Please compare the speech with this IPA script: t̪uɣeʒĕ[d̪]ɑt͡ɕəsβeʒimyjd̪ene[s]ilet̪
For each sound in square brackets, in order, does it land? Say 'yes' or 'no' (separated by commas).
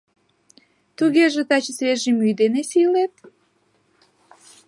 no, yes